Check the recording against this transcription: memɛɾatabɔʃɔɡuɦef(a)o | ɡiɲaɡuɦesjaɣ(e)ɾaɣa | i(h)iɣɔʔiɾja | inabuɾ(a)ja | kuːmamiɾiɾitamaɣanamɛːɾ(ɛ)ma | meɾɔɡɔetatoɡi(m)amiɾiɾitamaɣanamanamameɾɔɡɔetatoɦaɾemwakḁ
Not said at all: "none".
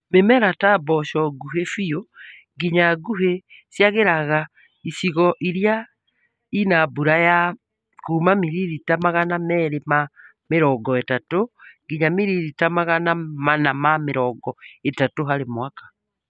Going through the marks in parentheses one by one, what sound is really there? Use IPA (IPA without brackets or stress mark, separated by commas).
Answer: i, e, s, a, e, ɲ